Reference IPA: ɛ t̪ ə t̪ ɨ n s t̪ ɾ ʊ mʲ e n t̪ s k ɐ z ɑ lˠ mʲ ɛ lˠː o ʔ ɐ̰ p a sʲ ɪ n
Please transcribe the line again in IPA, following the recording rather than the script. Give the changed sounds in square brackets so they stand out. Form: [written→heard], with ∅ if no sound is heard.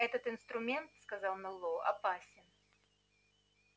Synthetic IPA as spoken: ɛ t̪ ə t̪ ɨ n s t̪ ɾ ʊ mʲ e n t̪ s k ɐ z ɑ lˠ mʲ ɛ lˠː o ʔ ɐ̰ p a sʲ ɪ n